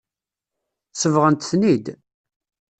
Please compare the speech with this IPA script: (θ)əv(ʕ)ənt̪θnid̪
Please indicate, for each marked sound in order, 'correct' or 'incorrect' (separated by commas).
incorrect, incorrect